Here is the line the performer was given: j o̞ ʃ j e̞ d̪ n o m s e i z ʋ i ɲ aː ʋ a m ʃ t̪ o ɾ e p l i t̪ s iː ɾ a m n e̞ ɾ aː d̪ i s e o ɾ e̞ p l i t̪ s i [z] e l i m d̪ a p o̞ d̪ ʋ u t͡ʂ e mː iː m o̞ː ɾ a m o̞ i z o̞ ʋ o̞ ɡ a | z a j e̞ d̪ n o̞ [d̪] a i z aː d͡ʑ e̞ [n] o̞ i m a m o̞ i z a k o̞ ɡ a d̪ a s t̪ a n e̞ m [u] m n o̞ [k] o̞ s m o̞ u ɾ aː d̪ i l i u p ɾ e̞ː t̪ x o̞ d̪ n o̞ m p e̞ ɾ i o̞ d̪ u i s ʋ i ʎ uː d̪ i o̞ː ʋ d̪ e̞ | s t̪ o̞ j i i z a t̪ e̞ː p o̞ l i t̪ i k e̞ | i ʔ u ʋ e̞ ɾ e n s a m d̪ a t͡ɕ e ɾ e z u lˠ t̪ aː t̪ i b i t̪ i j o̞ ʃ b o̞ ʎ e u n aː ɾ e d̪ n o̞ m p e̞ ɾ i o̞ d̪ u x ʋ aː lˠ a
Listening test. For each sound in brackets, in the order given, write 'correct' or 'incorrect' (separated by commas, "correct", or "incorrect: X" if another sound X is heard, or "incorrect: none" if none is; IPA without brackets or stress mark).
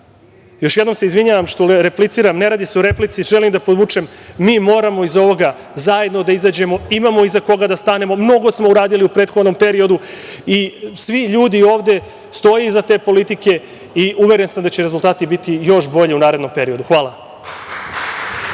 incorrect: ʒ, correct, incorrect: m, incorrect: o, incorrect: ɡ